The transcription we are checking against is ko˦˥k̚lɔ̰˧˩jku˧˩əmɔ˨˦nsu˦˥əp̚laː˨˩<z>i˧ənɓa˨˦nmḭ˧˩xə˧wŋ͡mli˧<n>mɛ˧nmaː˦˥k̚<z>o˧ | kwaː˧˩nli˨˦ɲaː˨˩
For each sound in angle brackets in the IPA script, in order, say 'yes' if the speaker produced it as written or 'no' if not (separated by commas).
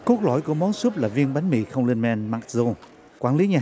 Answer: no, yes, yes